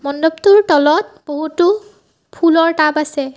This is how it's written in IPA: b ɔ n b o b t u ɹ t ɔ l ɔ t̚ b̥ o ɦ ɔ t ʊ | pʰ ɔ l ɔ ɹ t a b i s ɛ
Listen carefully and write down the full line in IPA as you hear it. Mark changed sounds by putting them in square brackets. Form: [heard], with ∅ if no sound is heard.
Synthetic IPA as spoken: [m] ɔ n [d] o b t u ɹ t ɔ l ɔ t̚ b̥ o ɦ [u] t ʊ | pʰ [u] l ɔ ɹ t a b [a] s ɛ

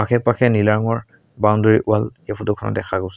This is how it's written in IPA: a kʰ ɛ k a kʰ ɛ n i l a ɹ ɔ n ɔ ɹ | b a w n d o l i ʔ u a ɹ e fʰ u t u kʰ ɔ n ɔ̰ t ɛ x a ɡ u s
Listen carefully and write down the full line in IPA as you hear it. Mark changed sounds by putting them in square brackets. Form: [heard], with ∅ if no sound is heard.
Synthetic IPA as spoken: a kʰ ɛ [p] a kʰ ɛ n i l a ɹ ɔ [ŋ] ɔ ɹ | b a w n d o [ɹ] i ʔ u a [l] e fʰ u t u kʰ ɔ n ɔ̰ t ɛ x a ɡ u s

